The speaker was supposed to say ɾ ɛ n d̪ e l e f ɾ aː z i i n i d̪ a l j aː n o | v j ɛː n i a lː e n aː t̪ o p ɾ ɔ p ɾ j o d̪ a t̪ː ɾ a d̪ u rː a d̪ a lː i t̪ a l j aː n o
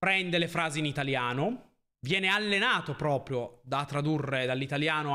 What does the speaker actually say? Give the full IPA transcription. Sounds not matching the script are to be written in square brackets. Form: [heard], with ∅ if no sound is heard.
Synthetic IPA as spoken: ɾ ɛ n d̪ e l e f ɾ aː z i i n i [t̪] a l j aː n o | v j ɛː n [e] a lː e n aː t̪ o p ɾ [ɔː] p ɾ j o d̪ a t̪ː ɾ a d̪ u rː [e] d̪ a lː i t̪ a l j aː n o